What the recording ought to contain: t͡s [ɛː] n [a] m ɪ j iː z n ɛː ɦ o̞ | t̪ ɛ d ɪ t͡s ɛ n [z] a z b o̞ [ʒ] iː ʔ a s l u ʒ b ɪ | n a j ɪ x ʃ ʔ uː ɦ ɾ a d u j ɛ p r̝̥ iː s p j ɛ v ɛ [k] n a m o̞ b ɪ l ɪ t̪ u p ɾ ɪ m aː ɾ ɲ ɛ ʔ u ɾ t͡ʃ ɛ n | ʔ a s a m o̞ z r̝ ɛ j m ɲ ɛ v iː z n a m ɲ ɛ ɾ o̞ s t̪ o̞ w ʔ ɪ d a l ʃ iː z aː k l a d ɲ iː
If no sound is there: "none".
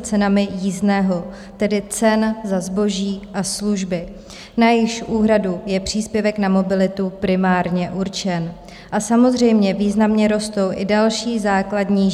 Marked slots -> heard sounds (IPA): ɛ, a, z, ʒ, k

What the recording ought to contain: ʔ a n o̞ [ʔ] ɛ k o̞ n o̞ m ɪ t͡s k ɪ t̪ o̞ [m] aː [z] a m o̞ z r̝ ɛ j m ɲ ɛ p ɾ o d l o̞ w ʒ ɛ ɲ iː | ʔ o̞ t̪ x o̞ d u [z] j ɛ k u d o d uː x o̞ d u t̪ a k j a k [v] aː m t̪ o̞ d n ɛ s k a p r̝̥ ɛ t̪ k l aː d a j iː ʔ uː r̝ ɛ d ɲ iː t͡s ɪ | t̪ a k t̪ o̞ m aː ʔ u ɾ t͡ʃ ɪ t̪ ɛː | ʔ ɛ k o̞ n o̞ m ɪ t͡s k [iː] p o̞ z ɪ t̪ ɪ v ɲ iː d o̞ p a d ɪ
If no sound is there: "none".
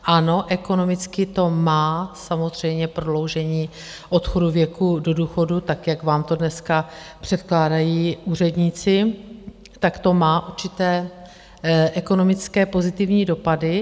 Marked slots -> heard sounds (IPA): ʔ, m, s, v, v, ɛː

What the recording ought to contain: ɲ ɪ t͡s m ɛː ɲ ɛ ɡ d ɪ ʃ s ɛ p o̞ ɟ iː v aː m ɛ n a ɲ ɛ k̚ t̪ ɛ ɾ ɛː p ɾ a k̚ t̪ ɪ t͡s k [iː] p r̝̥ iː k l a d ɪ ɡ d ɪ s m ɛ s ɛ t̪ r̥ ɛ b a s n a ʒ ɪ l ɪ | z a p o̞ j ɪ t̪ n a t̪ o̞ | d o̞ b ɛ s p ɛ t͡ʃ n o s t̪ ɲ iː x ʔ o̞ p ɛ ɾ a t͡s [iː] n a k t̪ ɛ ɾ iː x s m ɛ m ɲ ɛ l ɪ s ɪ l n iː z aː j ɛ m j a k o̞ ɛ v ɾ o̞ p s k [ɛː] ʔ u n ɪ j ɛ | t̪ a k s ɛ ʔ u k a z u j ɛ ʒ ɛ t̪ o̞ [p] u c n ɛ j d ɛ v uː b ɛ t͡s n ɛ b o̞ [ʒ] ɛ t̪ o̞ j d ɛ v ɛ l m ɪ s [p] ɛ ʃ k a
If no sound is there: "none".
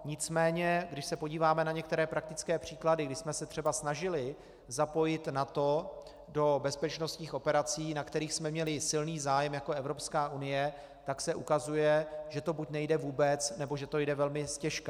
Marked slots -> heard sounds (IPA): ɛː, iː, aː, b, ʒ, c

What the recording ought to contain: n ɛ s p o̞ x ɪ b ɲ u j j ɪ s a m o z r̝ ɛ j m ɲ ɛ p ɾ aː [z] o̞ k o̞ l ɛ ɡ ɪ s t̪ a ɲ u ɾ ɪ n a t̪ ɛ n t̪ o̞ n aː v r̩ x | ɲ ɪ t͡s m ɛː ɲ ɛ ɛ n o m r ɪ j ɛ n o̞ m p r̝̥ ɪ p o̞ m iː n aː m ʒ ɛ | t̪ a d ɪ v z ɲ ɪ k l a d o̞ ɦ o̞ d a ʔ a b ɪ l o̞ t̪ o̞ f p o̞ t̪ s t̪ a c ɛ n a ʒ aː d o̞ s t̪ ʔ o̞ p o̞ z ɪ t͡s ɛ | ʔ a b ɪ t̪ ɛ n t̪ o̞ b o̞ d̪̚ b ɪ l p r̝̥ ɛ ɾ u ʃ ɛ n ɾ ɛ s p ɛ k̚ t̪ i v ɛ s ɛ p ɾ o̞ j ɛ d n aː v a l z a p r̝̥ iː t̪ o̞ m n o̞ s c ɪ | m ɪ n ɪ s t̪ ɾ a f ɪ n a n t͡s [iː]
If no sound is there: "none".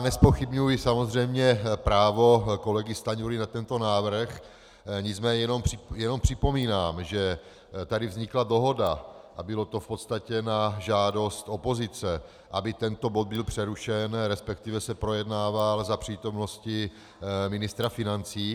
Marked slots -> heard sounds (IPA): v, iː

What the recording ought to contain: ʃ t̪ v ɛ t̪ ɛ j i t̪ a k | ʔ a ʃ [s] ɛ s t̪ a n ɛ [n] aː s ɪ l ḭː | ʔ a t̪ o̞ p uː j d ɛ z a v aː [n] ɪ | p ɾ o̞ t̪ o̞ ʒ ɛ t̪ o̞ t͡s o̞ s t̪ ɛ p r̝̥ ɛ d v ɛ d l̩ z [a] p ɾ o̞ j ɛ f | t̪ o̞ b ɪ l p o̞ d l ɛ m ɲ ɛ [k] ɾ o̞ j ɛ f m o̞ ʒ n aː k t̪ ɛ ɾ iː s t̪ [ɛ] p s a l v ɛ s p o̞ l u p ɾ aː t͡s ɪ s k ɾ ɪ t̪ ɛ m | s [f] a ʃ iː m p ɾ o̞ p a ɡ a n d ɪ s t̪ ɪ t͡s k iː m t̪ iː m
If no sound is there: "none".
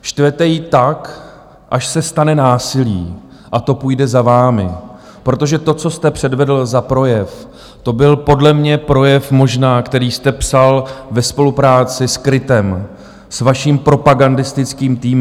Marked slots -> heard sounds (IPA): s, n, m, a, p, ɛ, v

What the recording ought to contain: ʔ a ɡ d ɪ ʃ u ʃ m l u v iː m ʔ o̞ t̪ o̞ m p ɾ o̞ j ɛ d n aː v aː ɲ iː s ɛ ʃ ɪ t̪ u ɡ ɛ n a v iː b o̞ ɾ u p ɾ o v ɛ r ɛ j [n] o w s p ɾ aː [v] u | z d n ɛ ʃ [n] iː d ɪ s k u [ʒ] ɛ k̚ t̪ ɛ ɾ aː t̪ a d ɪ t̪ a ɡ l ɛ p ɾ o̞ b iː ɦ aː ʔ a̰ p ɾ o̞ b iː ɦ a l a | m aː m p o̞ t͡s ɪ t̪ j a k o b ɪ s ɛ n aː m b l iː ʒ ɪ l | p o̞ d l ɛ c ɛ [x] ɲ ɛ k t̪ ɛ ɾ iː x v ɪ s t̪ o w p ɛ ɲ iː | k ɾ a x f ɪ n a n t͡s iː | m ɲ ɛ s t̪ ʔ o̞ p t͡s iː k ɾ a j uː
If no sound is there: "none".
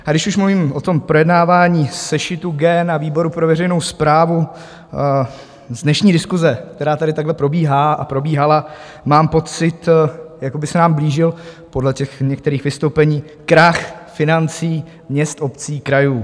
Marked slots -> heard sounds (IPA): n, v, ɲ, z, x

